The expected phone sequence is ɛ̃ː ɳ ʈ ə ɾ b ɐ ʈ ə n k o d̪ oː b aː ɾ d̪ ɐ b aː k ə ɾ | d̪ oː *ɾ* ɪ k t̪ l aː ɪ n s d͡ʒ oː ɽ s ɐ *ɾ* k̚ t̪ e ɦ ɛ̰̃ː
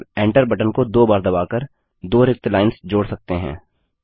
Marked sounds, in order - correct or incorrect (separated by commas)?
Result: correct, incorrect